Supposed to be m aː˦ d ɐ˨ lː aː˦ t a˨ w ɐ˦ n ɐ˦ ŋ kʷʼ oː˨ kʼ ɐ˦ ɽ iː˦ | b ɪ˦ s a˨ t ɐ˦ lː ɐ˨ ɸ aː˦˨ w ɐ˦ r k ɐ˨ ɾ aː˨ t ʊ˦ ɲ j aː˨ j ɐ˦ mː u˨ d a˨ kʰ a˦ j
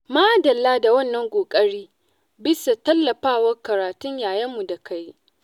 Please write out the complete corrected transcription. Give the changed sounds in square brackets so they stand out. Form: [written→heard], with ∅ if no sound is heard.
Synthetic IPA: m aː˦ d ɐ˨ lː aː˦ [t→d] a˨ w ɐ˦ [n→nː] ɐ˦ ŋ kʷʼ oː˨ kʼ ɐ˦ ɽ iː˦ | b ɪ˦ s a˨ t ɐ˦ lː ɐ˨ ɸ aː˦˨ w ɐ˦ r k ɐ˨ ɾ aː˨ t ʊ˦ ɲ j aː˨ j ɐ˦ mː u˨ d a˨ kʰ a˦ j

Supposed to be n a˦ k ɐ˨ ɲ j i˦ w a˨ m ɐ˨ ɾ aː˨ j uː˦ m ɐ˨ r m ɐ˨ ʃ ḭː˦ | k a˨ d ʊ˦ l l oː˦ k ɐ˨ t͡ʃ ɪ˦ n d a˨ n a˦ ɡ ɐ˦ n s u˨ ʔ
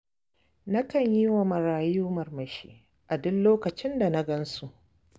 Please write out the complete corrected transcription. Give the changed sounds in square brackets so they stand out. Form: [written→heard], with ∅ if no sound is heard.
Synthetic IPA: n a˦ k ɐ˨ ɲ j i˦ w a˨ m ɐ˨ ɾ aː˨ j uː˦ m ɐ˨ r m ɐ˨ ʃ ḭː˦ | [k→ʔ] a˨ d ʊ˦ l l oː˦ k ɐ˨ t͡ʃ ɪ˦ n d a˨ n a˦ ɡ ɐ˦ n s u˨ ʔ

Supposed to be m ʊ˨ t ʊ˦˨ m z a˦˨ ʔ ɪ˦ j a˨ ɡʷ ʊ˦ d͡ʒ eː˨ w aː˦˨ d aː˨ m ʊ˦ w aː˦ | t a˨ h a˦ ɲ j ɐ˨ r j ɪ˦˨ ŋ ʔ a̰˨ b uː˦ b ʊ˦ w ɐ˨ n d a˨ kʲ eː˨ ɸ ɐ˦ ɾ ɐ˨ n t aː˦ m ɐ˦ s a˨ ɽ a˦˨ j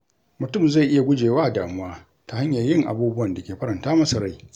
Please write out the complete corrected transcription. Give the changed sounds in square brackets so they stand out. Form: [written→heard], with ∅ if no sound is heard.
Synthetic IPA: m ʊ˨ t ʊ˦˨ m z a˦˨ ʔ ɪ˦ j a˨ ɡʷ ʊ˦ d͡ʒ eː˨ w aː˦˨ d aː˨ m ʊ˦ w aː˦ | t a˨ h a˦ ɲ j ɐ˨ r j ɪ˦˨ ŋ ʔ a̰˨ b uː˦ b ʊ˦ w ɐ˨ n d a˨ kʲ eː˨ ɸ ɐ˦ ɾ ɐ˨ n t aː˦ m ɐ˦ s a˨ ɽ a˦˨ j

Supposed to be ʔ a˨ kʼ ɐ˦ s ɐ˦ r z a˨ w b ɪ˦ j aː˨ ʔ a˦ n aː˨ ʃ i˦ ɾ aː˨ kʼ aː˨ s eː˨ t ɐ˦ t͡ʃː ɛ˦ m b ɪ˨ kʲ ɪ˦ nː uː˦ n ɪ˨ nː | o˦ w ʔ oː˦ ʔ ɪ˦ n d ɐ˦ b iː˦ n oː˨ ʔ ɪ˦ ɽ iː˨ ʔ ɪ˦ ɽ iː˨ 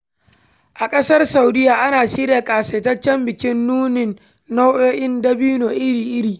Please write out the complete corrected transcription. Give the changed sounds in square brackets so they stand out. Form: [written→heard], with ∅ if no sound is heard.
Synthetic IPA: ʔ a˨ kʼ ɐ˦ s ɐ˦ r [z→s] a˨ w [b→d] ɪ˦ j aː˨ ʔ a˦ n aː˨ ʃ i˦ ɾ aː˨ kʼ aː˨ s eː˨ t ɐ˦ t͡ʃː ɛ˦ m b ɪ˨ kʲ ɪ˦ nː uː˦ n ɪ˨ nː | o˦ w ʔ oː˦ ʔ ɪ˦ n d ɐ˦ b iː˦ n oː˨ ʔ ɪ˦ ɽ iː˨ ʔ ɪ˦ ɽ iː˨

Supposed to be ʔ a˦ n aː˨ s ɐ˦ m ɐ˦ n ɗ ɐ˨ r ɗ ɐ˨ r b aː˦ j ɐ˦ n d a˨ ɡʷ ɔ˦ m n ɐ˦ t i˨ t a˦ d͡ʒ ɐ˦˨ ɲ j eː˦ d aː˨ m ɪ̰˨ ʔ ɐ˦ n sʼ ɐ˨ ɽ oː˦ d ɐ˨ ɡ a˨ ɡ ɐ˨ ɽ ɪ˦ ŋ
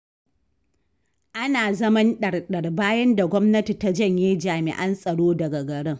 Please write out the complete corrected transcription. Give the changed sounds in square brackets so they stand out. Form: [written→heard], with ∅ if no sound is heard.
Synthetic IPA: ʔ a˦ n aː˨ [s→z] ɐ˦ m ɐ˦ n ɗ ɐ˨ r ɗ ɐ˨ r b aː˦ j ɐ˦ n d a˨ ɡʷ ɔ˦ m n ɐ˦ t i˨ t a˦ d͡ʒ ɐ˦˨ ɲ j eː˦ [d→d͡ʒ] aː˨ m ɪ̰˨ ʔ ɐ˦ n sʼ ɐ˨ ɽ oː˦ d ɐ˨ ɡ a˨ ɡ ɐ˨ ɽ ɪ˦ ŋ

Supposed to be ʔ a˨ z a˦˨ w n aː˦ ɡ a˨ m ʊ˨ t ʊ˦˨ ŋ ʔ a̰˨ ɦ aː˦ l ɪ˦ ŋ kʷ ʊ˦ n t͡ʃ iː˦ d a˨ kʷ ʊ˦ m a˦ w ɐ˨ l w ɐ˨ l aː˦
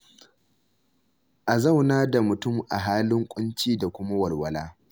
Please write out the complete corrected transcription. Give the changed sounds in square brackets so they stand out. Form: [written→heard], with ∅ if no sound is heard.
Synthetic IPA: ʔ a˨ z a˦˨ w n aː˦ [ɡ→d] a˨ m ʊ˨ t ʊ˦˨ [ŋ→m] ʔ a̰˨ ɦ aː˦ l ɪ˦ ŋ [kʷ→kʷʼ] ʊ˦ n t͡ʃ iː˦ d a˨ kʷ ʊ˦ m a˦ w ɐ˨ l w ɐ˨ l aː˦

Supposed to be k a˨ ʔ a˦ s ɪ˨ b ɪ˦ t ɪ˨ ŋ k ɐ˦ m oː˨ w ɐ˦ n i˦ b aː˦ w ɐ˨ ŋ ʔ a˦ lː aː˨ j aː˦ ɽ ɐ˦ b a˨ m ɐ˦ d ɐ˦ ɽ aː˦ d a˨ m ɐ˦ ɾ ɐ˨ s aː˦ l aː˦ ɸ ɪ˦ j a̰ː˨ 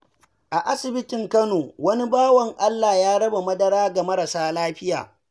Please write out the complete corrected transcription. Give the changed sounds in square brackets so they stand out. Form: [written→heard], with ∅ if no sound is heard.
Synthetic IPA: [k→ʔ] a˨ ʔ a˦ s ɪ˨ b ɪ˦ t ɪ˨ ŋ k ɐ˦ [m→n] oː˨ w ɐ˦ n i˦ b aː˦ w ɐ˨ ŋ ʔ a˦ lː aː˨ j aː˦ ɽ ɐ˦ b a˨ m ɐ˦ d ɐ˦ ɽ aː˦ [d→ɡ] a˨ m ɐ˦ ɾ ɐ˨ s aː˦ l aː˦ ɸ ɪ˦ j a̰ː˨

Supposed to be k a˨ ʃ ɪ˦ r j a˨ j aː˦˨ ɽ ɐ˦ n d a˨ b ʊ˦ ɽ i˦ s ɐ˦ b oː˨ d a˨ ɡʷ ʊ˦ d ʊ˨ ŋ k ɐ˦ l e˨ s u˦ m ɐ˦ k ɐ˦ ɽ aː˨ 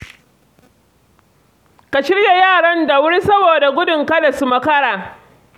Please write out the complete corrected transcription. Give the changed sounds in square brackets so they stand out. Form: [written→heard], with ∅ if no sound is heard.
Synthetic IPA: k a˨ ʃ ɪ˦ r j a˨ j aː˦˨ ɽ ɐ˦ n d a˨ [b→w] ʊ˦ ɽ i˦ s ɐ˦ b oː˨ d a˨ ɡʷ ʊ˦ d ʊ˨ ŋ k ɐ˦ l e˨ s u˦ m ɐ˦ k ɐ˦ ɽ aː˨

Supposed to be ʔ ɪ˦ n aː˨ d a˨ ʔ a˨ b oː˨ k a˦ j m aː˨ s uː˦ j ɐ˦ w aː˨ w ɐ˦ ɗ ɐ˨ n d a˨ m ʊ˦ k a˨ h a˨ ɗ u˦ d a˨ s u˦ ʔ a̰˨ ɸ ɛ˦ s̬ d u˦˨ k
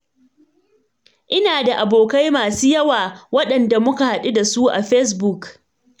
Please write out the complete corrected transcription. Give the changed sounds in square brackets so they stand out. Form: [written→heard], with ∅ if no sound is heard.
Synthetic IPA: ʔ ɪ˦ n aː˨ d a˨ ʔ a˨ b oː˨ k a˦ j m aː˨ s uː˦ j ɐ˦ w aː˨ w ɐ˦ ɗ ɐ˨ n d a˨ m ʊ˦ k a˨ h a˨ ɗ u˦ d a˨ s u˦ ʔ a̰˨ ɸ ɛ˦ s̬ [d→b] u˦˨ k

